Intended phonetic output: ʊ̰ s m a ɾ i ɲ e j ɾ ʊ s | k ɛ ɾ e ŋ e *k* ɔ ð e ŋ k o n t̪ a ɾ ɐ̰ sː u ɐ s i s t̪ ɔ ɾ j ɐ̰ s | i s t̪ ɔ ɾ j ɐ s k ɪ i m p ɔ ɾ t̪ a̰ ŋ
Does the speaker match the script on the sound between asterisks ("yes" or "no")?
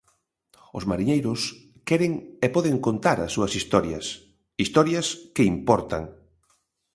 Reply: no